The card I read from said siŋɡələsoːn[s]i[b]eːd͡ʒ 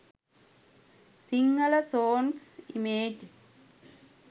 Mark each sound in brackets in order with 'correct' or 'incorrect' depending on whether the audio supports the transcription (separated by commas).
correct, incorrect